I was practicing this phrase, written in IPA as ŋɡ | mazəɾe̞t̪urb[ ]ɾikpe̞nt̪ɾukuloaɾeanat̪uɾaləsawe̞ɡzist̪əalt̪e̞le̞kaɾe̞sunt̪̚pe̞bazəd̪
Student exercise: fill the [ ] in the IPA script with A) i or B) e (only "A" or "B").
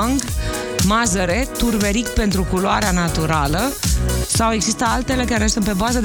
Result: B